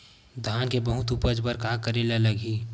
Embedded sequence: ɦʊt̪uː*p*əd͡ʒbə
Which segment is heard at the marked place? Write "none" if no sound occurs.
p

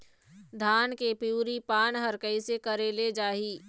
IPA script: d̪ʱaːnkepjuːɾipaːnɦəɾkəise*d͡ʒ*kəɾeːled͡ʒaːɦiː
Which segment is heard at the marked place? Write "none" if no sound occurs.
none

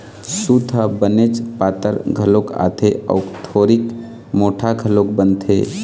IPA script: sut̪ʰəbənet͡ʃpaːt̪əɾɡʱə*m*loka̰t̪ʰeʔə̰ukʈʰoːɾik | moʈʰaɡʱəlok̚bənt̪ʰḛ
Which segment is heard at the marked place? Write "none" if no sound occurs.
none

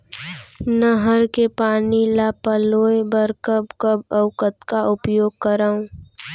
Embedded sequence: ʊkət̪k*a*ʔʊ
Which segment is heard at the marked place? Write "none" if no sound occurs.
a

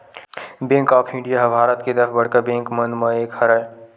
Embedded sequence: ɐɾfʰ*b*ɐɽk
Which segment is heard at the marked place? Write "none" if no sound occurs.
b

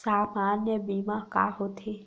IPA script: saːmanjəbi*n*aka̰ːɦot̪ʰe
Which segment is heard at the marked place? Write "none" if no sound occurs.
m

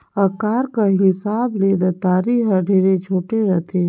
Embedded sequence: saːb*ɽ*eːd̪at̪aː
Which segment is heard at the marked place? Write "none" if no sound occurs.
l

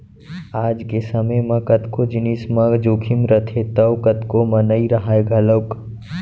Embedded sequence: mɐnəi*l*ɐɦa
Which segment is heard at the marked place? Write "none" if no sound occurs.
ɾ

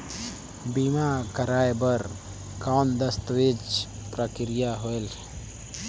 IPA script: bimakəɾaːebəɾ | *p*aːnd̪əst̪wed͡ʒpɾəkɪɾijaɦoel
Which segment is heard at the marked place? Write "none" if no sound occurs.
k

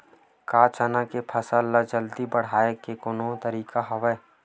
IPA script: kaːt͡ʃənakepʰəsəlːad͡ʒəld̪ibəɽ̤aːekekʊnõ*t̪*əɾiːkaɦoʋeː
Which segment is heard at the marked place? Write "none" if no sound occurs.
t̪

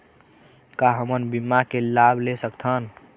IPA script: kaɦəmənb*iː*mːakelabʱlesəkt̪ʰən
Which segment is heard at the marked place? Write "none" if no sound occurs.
i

